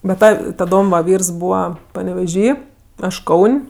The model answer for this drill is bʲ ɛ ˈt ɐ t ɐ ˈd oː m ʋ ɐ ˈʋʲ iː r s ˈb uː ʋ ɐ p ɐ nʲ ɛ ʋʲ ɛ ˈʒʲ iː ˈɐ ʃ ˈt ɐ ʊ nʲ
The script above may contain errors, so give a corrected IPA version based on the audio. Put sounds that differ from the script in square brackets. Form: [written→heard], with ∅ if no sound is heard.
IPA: bʲ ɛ ˈt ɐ t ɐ ˈd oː m ʋ ɐ ˈʋʲ iː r s ˈb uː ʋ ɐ p ɐ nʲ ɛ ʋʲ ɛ ˈʒʲ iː ˈɐ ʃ [ˈt→ˈk] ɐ ʊ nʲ